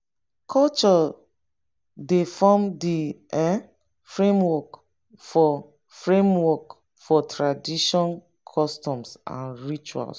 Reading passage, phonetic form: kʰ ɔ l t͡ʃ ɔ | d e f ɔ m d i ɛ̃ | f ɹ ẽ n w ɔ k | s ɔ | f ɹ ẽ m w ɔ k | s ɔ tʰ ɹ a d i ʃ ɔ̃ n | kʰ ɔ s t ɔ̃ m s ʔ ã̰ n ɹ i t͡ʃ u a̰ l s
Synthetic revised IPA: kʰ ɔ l t͡ʃ ɔ | d e f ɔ m d i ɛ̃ | f ɹ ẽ m w ɔ k | f ɔ | f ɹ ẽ m w ɔ k | f ɔ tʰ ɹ a d i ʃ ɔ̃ n | kʰ ɔ s t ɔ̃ m s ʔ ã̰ n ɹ i t͡ʃ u a̰ l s